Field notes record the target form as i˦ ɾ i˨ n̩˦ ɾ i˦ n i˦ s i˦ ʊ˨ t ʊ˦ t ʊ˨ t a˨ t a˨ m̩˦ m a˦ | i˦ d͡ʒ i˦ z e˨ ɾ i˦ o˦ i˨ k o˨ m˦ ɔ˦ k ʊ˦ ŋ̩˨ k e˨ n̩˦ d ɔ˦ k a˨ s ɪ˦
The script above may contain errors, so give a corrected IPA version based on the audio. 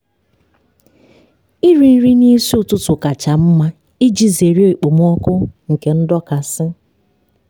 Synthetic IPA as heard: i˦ ɾ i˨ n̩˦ ɾ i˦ n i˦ s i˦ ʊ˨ t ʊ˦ t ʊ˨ k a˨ t͡ʃ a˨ m̩˦ m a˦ | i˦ d͡ʒ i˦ z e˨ ɾ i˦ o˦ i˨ k͡p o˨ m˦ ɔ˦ k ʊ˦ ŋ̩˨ k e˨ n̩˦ d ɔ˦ k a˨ s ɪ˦

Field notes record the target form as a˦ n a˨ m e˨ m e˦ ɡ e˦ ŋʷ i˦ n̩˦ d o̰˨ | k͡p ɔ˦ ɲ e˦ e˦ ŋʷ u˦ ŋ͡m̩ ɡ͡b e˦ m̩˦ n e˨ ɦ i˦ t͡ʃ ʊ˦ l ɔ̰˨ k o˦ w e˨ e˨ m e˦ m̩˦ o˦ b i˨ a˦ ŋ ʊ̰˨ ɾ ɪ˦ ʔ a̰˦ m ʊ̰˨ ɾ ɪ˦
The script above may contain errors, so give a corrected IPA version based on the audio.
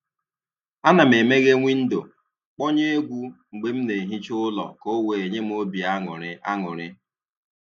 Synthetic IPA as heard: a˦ n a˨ m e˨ m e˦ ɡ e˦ ŋʷ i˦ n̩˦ d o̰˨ | k͡p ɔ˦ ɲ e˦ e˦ ɡʷ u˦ ŋ͡m̩ ɡ͡b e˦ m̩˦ n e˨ ɦ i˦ t͡ʃ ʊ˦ l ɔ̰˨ k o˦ w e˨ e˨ ɲ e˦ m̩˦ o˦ b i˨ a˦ ŋ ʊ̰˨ ɾ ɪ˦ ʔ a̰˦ ŋ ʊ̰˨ ɾ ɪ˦

